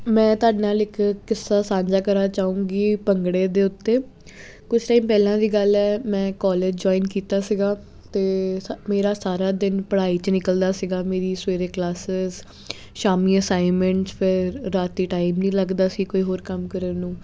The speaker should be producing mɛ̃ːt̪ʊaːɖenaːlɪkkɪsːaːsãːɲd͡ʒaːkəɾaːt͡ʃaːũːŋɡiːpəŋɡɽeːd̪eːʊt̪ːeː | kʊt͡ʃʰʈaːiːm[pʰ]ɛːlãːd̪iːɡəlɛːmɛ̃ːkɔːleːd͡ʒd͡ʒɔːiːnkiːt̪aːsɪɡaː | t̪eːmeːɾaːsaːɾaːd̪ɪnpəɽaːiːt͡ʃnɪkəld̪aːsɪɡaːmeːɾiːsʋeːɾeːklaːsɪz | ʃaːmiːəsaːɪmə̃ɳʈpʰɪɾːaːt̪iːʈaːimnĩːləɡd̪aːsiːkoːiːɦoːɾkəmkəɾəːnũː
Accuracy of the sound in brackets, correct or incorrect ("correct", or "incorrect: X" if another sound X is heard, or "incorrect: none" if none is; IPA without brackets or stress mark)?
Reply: incorrect: p